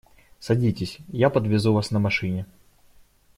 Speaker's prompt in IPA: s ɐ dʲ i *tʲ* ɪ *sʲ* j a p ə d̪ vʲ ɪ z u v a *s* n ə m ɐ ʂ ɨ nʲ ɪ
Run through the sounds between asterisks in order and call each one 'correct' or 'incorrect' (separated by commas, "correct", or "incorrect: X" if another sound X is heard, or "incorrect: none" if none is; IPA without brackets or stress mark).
correct, correct, correct